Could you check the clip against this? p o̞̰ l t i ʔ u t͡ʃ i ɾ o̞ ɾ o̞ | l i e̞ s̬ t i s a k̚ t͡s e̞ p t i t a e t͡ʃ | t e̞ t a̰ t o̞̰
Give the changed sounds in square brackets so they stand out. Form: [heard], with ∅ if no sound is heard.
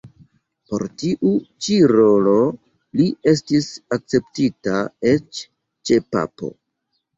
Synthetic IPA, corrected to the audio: p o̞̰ [ɾ] t i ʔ u t͡ʃ i ɾ o̞ [l] o̞ | l i e̞ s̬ t i s a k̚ t͡s e̞ p t i t a e t͡ʃ | [t͡ʃ] e̞ [p] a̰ [p] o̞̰